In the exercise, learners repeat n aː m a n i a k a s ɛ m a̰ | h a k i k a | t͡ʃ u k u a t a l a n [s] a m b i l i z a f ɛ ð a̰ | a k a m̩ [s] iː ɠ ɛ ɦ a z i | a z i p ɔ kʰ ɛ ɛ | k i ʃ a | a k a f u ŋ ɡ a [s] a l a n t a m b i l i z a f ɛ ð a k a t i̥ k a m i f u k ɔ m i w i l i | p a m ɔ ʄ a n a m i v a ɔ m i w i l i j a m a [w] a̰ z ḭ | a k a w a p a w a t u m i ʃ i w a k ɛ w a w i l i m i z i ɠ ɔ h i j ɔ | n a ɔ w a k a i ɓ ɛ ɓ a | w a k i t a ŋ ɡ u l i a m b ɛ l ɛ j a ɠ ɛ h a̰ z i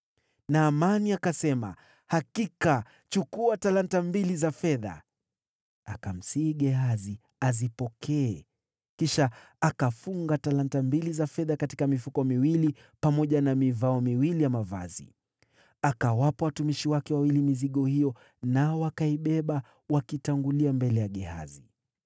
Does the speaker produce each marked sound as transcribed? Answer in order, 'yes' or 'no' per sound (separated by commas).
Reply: no, yes, no, no